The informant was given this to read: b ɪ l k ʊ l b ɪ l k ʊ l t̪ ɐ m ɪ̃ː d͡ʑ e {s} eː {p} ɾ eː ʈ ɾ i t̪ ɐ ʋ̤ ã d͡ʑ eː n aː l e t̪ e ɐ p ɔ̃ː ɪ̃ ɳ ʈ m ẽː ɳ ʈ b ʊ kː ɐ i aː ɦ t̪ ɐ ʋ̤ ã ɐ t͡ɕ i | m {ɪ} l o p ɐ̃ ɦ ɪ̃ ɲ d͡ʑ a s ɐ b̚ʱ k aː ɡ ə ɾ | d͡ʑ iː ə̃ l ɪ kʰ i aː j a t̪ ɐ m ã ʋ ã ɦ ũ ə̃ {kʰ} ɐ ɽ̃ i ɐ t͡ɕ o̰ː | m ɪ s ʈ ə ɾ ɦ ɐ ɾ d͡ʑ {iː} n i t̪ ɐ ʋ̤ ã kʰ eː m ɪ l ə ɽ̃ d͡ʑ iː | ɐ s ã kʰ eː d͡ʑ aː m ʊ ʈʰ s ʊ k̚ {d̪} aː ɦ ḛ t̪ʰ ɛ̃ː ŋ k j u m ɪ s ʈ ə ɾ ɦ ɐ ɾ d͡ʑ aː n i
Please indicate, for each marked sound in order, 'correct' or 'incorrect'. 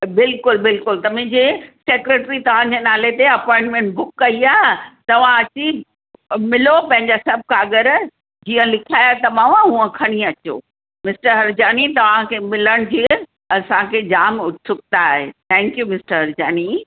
correct, incorrect: k, correct, correct, incorrect: aː, incorrect: t̪

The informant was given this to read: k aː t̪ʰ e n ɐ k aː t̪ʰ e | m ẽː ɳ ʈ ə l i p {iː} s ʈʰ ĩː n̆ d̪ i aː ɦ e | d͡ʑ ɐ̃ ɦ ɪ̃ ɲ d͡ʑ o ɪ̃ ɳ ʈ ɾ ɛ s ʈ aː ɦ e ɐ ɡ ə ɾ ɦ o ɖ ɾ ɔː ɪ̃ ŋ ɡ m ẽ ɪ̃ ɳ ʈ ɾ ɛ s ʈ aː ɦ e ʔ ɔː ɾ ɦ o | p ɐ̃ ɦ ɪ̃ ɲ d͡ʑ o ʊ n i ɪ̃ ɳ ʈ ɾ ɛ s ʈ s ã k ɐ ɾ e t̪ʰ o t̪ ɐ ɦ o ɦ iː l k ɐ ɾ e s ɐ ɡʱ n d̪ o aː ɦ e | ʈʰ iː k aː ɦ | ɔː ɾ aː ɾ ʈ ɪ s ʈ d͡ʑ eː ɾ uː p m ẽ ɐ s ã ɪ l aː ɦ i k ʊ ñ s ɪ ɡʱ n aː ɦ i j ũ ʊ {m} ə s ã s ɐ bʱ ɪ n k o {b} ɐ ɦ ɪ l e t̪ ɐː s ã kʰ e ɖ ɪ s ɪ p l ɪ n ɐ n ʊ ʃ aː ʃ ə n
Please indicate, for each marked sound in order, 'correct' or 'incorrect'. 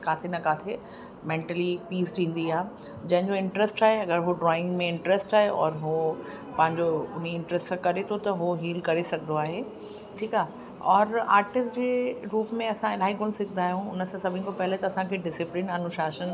correct, incorrect: n, incorrect: p

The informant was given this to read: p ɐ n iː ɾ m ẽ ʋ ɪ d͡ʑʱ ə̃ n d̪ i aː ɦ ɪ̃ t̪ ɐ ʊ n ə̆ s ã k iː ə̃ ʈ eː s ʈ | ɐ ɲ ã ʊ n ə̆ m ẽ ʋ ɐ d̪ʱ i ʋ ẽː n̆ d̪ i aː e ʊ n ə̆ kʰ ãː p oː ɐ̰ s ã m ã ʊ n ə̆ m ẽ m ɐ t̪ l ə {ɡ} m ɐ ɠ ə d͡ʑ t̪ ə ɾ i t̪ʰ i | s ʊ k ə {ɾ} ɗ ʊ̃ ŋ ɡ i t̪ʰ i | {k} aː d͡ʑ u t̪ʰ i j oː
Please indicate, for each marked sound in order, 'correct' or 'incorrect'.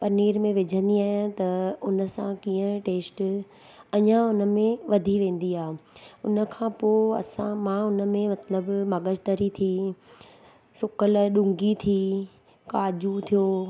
incorrect: b, incorrect: l, correct

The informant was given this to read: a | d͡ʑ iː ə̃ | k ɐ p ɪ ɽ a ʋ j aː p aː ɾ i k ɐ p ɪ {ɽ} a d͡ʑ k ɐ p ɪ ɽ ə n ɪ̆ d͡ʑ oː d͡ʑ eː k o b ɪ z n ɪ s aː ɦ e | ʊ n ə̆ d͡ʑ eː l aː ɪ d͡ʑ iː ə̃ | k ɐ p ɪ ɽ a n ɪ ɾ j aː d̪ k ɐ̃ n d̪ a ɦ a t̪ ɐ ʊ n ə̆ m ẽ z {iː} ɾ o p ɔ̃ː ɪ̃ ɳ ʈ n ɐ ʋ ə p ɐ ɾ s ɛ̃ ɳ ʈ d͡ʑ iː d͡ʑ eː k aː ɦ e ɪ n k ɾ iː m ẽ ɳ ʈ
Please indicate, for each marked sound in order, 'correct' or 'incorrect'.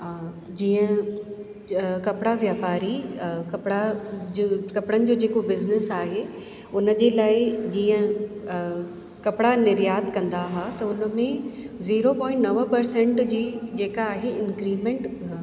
correct, correct

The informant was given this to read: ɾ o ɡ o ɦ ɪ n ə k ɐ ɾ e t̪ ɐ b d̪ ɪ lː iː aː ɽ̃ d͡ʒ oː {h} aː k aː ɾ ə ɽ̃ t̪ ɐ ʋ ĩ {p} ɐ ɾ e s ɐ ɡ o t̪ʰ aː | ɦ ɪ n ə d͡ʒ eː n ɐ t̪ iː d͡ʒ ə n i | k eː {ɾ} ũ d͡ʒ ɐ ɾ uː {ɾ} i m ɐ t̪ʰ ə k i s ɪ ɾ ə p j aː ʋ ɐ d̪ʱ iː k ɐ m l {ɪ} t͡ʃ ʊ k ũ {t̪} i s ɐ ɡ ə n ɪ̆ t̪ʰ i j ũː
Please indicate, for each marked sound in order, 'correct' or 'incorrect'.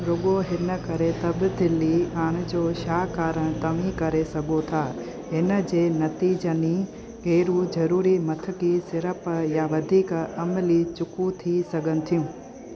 incorrect: ʃ, incorrect: k, correct, correct, incorrect: i, incorrect: t̪ʰ

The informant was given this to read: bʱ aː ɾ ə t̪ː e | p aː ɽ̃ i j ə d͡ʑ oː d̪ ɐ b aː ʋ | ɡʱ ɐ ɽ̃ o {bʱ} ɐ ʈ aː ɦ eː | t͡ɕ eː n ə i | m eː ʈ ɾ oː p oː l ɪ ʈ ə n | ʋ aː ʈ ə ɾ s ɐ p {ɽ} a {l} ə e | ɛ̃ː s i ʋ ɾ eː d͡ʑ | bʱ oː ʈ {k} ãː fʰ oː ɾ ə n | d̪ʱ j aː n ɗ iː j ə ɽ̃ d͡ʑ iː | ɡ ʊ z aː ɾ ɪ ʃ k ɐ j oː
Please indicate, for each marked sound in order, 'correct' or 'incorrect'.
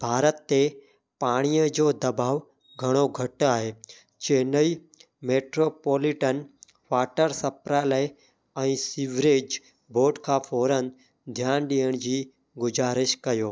incorrect: ɡʱ, incorrect: ɾ, correct, incorrect: kʰ

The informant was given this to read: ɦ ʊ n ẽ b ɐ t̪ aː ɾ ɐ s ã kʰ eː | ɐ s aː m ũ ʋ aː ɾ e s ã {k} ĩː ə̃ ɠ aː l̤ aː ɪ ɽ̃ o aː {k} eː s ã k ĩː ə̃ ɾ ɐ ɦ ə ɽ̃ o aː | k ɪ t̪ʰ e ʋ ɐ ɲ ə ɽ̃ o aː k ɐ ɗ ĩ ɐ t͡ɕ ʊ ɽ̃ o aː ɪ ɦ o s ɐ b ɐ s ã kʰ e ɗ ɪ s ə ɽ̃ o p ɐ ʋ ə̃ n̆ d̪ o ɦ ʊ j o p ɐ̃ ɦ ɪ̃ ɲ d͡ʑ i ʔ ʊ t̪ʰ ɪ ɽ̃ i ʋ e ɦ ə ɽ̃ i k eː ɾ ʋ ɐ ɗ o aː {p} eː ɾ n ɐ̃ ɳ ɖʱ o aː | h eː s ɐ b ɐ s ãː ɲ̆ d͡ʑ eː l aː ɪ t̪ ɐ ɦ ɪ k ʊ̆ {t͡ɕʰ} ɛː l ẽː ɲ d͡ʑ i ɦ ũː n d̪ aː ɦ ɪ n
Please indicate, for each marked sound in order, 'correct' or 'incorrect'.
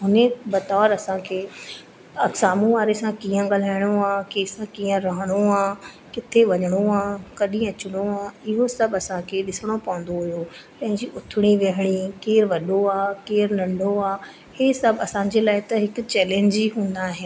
correct, correct, incorrect: k, incorrect: t͡ɕ

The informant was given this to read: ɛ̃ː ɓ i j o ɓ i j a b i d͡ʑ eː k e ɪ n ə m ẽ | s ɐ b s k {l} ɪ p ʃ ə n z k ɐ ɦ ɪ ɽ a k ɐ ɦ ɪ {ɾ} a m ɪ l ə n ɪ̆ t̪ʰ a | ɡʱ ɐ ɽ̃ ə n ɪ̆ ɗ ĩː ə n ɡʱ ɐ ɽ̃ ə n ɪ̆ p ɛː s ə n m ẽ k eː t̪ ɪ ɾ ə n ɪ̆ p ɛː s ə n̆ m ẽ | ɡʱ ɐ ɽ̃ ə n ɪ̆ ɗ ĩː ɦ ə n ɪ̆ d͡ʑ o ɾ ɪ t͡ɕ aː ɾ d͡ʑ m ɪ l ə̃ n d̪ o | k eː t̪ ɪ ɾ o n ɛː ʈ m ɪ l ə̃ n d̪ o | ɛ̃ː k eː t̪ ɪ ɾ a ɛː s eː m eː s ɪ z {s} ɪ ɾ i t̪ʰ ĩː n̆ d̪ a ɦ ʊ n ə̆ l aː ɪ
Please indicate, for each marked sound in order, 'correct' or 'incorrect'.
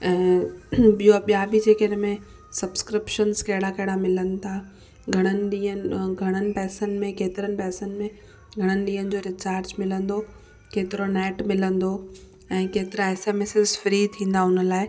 incorrect: ɾ, incorrect: ɽ, incorrect: f

